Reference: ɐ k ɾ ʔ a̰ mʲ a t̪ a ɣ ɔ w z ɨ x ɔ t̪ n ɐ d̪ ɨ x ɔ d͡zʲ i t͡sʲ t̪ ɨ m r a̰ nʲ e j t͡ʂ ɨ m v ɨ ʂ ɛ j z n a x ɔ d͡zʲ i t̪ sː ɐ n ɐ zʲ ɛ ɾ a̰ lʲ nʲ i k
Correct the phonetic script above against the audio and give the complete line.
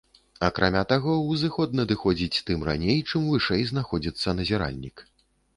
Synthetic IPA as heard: ɐ k ɾ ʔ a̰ mʲ a t̪ a ɣ ɔ w z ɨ x ɔ d̪ n ɐ d̪ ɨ x ɔ d͡zʲ i t͡sʲ t̪ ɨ m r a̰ nʲ e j t͡ʂ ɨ m v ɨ ʂ ɛ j z n a x ɔ d͡zʲ i t̪ sː ɐ n ɐ zʲ ɛ ɾ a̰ lʲ nʲ i k